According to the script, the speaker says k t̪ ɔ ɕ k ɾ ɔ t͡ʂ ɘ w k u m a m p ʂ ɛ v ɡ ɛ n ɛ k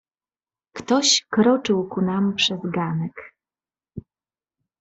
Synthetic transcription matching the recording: k t̪ ɔ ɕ k ɾ ɔ t͡ʂ ɘ w k u n a m p ʂ ɛ z ɡ a n ɛ k